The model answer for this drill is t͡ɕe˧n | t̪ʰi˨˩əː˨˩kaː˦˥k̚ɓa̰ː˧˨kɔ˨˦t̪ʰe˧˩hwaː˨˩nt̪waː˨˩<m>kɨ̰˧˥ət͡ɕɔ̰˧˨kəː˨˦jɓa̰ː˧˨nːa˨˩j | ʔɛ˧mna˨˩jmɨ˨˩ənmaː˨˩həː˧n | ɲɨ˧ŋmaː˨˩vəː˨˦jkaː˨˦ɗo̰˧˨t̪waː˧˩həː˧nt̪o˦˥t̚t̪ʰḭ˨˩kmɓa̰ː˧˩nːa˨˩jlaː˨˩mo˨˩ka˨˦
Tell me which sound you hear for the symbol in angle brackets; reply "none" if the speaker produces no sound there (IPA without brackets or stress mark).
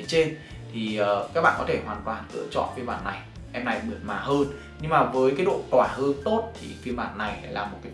n